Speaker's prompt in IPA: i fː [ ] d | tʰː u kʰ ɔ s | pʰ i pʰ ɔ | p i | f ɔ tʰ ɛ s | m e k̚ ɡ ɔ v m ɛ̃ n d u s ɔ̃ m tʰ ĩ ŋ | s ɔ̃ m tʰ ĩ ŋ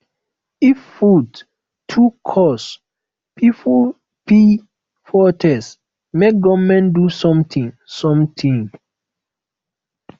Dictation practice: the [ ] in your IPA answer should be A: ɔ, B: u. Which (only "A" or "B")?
B